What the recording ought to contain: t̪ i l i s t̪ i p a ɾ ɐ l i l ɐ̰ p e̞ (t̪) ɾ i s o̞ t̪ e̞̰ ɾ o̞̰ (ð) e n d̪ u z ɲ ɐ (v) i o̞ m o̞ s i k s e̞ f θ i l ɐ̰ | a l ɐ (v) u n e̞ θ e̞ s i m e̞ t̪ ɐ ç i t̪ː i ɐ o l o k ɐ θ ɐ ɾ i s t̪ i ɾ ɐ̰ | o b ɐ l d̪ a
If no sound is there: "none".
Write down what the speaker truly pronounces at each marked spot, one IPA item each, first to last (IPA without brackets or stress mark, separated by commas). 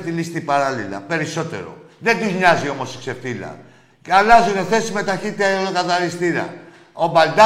none, ð, z, z